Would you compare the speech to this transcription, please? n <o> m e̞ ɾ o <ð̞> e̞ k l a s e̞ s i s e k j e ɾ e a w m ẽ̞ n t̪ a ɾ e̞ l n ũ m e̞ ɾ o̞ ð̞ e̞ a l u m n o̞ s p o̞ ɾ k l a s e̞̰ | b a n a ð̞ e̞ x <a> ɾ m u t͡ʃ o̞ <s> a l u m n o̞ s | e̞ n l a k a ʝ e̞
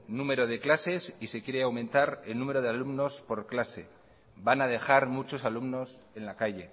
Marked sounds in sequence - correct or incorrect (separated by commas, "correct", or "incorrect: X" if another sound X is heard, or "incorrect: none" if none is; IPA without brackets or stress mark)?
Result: incorrect: u, correct, correct, correct